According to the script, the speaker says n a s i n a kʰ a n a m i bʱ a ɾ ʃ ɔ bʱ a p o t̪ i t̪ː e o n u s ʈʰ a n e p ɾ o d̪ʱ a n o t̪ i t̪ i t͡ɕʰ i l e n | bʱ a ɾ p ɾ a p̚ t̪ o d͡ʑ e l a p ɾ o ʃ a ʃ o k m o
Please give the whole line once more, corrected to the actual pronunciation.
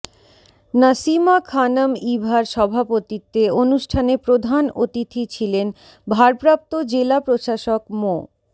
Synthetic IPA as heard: n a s i m a kʰ a n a m i bʱ a ɾ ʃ ɔ bʱ a p o t̪ i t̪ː e o n u ʃ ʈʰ a n e p ɾ o d̪ʱ a n o t̪ i t̪ʰ i t͡ɕʰ i l e n | bʱ a ɾ p ɾ a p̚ t̪ o d͡ʑ e l a p ɾ o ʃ a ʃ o k m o